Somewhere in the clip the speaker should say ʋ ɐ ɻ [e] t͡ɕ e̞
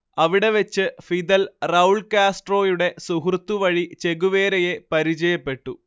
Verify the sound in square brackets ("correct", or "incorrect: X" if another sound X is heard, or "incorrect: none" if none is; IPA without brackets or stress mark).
incorrect: i